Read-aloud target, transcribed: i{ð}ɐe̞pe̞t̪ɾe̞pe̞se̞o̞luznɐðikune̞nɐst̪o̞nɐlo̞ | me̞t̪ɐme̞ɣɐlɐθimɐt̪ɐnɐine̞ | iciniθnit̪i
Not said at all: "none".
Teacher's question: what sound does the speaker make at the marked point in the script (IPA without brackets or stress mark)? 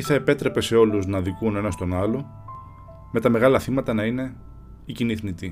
θ